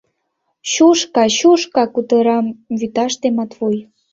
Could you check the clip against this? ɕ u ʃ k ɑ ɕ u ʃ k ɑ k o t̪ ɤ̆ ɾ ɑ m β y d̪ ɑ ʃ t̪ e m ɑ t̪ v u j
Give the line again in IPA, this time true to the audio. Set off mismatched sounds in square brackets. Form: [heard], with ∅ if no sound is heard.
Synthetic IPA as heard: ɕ u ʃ k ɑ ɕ u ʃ k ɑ k [u] t̪ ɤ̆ ɾ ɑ m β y [t̪] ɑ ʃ t̪ e m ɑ t̪ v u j